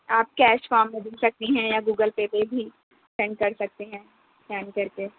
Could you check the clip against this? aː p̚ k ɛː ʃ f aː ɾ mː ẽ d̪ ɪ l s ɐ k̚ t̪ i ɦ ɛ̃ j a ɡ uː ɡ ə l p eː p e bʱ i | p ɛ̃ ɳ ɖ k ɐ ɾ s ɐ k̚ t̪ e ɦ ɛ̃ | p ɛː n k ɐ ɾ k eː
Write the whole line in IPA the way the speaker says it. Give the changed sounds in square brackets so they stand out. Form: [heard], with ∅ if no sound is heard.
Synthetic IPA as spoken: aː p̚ k ɛː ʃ f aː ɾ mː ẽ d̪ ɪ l s ɐ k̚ t̪ i ɦ ɛ̃ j a ɡ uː ɡ ə l p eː p e bʱ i | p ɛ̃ ɳ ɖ k ɐ ɾ s ɐ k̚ t̪ e ɦ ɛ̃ | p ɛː n k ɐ ɾ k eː

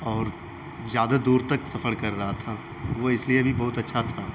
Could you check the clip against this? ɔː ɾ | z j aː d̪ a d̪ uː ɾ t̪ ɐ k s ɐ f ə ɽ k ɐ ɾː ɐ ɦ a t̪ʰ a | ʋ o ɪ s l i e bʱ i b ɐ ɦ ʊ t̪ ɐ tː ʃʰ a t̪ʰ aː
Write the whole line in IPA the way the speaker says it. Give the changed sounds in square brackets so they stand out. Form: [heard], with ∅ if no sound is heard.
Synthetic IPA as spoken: ɔː ɾ | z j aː d̪ a d̪ uː ɾ t̪ ɐ k s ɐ f ə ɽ k ɐ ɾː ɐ ɦ a t̪ʰ a | ʋ o ɪ s l i e bʱ i b ɐ ɦ ʊ t̪ ɐ tː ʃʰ a t̪ʰ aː

